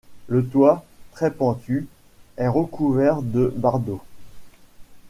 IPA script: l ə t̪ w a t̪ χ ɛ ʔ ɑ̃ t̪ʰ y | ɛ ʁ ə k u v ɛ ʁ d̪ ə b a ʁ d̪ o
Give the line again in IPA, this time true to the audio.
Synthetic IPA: l ə t̪ w a t̪ χ ɛ p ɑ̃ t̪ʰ y | ɛ ʁ ə k u v ɛ ʁ d̪ ə b a ʁ d̪ o